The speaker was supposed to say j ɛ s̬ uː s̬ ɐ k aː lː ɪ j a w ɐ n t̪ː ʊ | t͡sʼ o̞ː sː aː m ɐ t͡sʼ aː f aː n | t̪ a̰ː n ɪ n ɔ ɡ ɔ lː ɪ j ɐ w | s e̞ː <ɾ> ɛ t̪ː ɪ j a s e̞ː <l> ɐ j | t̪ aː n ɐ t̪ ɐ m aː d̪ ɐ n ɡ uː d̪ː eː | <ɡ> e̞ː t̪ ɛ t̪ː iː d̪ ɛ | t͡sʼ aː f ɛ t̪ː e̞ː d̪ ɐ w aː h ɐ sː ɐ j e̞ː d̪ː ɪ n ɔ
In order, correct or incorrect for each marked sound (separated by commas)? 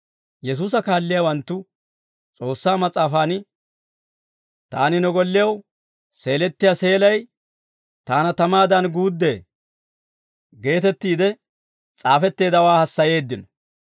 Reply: incorrect, correct, correct